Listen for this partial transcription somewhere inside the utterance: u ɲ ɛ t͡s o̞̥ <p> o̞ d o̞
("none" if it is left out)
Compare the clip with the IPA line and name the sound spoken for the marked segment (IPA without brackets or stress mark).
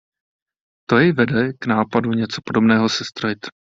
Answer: p